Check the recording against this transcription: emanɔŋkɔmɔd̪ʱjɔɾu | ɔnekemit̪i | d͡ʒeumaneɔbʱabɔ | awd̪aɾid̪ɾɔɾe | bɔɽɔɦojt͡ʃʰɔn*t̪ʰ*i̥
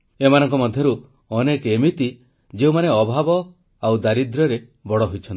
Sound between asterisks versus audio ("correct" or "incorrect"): incorrect